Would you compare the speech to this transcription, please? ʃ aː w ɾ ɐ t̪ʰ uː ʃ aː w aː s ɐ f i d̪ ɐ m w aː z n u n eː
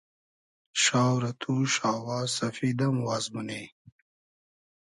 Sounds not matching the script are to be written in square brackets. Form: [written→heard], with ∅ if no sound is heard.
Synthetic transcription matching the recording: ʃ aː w ɾ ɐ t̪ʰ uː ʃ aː w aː s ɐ f i d̪ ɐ m w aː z [n→m] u n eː